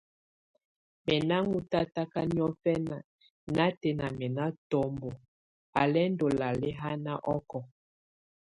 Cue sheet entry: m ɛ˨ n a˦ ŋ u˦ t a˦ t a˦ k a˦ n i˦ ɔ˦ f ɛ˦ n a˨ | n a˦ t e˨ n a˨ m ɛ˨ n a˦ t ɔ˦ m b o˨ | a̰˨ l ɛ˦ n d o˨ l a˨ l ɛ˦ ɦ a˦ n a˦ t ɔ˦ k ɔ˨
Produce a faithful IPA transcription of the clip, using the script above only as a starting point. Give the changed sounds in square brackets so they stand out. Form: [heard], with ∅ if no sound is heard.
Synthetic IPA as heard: m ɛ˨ n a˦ ŋ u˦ t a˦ t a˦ k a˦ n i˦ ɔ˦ f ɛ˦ n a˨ | n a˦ t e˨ n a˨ m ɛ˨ n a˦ t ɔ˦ m b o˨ | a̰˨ l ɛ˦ n d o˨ l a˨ l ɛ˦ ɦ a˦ n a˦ [ʔ] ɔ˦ k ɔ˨